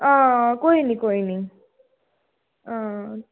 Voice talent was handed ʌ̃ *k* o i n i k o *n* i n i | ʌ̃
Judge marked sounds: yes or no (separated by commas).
yes, no